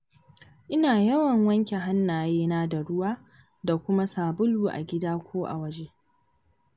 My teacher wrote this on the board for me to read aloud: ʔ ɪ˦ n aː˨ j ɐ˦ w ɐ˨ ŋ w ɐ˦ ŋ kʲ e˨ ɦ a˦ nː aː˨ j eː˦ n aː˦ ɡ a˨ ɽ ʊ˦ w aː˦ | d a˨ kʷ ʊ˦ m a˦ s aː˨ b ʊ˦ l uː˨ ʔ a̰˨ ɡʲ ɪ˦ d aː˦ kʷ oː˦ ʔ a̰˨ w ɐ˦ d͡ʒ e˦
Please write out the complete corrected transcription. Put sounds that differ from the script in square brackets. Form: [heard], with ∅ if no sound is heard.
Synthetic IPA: ʔ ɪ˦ n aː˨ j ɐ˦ w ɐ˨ ŋ w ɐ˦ ŋ kʲ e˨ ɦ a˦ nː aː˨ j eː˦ n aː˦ [d] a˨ ɽ ʊ˦ w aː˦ | d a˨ kʷ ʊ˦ m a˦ s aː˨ b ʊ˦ l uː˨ ʔ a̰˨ ɡʲ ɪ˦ d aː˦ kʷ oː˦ ʔ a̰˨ w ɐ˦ d͡ʒ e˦